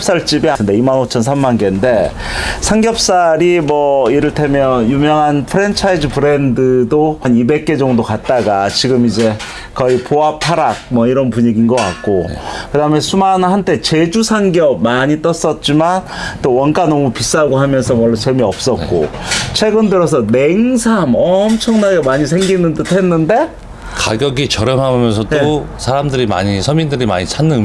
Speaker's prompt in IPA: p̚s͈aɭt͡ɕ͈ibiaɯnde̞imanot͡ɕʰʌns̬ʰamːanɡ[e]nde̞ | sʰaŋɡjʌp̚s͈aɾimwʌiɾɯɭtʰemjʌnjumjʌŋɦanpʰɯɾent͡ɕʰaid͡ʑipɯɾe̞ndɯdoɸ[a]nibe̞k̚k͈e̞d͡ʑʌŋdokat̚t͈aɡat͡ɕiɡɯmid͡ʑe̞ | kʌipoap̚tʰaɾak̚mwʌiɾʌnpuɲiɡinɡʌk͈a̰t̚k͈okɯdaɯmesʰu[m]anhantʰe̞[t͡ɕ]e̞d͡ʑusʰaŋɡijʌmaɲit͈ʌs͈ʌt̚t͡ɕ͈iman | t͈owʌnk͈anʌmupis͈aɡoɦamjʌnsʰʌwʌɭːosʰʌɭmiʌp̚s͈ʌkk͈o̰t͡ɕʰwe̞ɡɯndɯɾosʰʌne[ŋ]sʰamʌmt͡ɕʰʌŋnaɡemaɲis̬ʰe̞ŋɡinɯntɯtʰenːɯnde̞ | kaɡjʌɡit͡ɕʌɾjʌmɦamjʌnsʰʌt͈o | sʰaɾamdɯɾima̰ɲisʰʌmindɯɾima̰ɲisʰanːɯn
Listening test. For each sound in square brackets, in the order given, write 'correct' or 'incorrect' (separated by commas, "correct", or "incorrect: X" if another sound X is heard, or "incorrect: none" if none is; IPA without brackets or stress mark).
correct, correct, correct, correct, correct